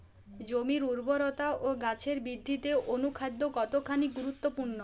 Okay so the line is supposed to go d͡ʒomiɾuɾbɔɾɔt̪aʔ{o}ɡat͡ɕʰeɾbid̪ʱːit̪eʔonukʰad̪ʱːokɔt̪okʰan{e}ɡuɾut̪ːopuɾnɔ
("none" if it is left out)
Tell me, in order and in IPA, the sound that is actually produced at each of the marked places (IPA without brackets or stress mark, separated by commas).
o, i